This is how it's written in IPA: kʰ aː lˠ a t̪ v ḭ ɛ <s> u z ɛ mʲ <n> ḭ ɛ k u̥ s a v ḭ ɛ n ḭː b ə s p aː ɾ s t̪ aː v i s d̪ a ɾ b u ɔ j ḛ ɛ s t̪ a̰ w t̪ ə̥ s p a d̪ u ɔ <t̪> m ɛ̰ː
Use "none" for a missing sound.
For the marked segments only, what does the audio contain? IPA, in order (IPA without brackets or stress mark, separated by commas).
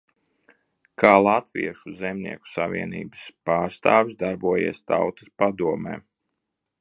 ʃ, n, none